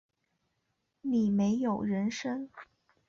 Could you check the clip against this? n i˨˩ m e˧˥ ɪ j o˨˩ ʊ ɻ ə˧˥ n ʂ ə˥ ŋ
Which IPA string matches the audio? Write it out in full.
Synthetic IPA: n i˨˩ m e˧˥ ɪ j o˨˩ ʊ ɻ ə˧˥ n ʂ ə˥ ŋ

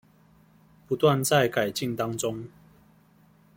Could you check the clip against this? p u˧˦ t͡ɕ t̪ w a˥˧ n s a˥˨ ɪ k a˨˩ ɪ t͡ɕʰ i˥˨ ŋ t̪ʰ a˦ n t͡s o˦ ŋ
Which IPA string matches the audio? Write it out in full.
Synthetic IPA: p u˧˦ t̪ w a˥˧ n t͡s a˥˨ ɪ k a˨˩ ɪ t͡ɕ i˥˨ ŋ t̪ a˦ ŋ t͡s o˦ ŋ

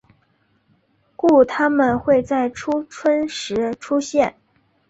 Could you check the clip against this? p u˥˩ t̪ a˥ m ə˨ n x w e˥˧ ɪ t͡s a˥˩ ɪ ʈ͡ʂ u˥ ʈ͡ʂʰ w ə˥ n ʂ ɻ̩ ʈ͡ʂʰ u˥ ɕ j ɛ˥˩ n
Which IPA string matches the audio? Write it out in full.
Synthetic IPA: k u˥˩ t̪ʰ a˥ m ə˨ n x w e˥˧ ɪ t͡s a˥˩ ɪ ʈ͡ʂʰ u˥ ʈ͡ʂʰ w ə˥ n ʂ ɻ̩ ʈ͡ʂʰ u˥ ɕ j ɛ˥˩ n

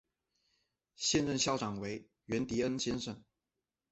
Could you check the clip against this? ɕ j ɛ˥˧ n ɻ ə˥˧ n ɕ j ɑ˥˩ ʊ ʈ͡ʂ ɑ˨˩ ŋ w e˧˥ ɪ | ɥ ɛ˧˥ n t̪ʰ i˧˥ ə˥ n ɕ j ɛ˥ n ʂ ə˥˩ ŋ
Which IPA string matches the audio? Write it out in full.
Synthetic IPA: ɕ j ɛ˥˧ n ɻ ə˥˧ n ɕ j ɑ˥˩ ʊ ʈ͡ʂ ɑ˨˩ ŋ w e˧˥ ɪ | ɥ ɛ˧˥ n t̪ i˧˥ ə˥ n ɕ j ɛ˥ n ʂ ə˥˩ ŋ

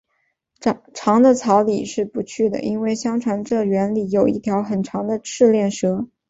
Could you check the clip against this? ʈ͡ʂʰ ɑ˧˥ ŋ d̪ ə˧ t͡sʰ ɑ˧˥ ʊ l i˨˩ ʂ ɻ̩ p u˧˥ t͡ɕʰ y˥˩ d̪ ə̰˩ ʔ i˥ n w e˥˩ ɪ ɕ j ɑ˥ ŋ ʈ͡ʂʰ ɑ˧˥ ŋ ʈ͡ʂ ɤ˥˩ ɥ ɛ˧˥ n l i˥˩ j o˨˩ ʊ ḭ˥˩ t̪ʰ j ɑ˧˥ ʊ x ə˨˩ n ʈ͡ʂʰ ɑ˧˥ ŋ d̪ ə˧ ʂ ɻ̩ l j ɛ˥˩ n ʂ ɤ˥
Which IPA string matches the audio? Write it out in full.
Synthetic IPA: ʈ͡ʂʰ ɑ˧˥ ŋ d̪ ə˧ t͡sʰ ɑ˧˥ ʊ l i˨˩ ʂ ɻ̩ p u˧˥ t͡ɕʰ y˥˩ d̪ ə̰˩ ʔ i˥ n w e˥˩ ɪ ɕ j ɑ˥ ŋ ʈ͡ʂʰ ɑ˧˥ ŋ ʈ͡ʂ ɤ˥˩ ɥ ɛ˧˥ n l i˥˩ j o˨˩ ʊ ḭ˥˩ t̪ʰ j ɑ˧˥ ʊ x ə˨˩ n ʈ͡ʂʰ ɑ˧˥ ŋ d̪ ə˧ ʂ ɻ̩ l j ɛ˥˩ n ʂ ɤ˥

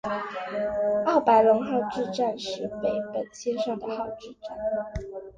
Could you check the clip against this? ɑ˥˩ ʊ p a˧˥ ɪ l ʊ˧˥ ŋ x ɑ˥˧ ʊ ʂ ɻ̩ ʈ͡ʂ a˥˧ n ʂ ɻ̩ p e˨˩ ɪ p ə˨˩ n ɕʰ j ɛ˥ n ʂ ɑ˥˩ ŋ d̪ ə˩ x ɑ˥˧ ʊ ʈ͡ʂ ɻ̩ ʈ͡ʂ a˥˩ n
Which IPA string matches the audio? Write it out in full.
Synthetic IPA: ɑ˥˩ ʊ p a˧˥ ɪ l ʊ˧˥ ŋ x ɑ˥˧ ʊ ʈ͡ʂ ɻ̩ ʈ͡ʂ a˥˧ n ʂ ɻ̩ p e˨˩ ɪ p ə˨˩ n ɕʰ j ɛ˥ n ʂ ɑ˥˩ ŋ d̪ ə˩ x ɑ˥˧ ʊ ʈ͡ʂ ɻ̩ ʈ͡ʂ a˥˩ n

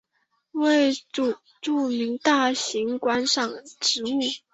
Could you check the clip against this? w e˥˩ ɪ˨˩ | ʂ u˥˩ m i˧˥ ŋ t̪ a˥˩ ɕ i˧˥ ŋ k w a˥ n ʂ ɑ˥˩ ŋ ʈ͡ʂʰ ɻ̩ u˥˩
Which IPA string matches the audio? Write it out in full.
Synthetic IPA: w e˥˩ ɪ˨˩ | ʈ͡ʂ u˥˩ m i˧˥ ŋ t̪ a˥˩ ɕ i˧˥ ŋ k w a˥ n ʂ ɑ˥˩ ŋ ʈ͡ʂ ɻ̩ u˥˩

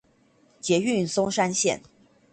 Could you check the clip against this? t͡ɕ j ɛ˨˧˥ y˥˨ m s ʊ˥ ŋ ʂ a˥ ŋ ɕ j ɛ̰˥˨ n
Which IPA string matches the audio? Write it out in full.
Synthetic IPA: t͡ɕ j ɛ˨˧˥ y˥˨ n s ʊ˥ ŋ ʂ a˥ n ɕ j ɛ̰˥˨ n

